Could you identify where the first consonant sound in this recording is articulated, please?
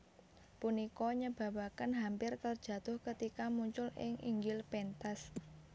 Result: labial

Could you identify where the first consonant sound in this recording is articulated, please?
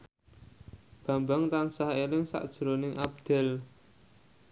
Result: labial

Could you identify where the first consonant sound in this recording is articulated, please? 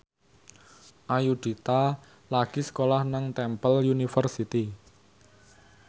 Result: glottal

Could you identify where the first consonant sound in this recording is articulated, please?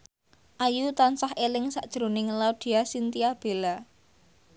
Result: glottal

